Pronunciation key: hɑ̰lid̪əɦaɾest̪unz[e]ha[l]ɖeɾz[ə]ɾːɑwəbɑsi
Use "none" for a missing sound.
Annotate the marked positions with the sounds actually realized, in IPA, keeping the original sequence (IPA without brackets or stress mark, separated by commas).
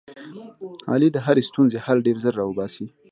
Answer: e, l, ə